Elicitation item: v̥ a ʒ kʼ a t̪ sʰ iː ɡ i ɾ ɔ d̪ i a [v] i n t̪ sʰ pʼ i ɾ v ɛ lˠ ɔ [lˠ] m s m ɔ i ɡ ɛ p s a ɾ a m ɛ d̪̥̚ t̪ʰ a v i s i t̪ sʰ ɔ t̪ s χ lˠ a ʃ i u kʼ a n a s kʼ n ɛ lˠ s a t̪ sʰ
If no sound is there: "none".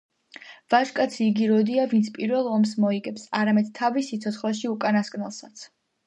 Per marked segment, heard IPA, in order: v, none

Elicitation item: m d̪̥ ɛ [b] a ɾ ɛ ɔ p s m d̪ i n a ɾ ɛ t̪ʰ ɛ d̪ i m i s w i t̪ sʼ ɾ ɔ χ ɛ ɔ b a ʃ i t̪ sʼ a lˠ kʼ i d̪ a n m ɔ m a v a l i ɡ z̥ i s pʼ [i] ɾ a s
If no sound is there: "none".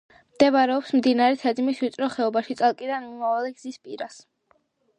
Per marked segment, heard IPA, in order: v, i

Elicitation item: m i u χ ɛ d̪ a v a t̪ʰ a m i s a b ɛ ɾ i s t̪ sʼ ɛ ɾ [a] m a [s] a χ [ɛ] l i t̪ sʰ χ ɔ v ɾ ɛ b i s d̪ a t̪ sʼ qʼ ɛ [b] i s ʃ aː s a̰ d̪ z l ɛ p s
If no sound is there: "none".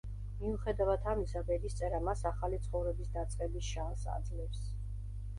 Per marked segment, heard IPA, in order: a, s, a, b

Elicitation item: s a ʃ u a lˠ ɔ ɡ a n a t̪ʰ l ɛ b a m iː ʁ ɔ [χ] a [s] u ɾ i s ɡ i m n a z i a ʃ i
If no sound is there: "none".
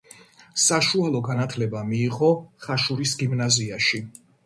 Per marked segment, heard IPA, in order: χ, ʃ

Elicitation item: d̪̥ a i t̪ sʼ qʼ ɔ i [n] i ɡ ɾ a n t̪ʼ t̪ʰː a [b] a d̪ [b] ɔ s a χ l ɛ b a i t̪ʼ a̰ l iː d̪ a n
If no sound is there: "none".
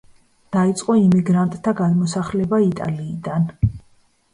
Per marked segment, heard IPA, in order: m, ɡ, m

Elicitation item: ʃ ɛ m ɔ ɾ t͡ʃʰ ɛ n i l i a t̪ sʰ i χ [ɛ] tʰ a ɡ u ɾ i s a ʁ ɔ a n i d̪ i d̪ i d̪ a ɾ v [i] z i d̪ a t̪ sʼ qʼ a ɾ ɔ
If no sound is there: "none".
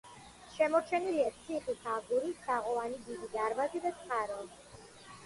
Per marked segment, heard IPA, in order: i, a

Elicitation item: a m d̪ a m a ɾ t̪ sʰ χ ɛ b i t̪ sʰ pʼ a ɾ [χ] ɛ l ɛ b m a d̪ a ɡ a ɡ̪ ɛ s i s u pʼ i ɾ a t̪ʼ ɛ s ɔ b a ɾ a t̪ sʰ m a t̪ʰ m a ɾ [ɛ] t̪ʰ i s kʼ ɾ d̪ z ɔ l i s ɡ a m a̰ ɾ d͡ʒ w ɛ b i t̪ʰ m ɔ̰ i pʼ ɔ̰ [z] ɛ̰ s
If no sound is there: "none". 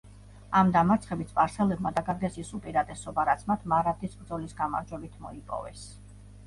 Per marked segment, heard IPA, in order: s, a, v

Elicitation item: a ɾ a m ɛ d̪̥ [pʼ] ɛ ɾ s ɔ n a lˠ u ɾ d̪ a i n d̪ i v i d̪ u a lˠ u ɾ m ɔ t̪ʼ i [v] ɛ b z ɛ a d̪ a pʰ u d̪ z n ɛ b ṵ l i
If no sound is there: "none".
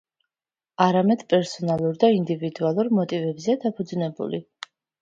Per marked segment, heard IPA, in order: pʼ, v

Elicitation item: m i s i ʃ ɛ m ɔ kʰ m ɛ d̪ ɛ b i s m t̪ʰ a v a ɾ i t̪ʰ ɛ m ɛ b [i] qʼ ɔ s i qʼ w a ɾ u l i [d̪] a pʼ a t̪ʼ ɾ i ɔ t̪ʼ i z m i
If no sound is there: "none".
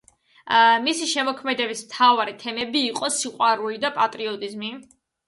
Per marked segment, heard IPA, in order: iː, d̪

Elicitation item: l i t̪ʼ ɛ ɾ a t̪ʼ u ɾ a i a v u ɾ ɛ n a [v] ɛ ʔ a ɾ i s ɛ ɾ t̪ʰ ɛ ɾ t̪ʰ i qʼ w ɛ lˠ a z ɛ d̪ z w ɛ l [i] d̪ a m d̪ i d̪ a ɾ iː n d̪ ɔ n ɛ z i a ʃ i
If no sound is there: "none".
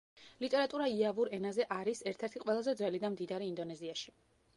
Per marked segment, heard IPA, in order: z, i

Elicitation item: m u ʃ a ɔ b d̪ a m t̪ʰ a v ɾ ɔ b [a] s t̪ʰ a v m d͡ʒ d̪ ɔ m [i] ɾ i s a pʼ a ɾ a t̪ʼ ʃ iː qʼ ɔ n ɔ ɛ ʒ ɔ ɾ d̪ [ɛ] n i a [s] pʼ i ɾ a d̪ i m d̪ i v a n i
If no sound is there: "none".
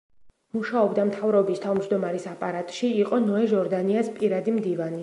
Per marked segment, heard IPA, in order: i, a, a, s

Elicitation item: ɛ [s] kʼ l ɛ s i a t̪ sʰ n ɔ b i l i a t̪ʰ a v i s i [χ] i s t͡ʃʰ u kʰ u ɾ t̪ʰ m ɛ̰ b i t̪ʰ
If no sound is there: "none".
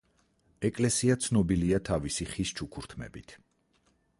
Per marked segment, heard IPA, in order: none, χ

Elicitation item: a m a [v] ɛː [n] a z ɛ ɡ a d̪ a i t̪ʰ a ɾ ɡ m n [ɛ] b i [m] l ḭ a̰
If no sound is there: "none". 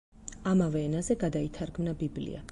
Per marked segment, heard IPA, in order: v, n, a, b

